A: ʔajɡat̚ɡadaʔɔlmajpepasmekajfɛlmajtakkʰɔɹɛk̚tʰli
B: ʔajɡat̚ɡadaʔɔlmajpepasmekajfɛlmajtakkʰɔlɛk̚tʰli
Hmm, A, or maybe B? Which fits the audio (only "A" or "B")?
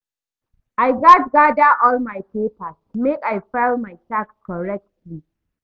A